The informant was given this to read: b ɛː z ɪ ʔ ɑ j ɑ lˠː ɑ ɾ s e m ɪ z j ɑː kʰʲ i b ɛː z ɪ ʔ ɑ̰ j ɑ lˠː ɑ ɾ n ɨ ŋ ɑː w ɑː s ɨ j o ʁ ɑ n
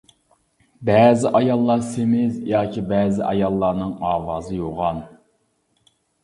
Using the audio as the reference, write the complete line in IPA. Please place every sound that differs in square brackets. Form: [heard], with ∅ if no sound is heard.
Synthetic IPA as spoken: b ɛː z ɪ ʔ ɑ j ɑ lˠː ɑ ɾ s e m ɪ z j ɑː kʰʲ i b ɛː z ɪ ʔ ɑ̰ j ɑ lˠː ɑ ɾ n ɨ ŋ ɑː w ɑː [z] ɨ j o ʁ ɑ n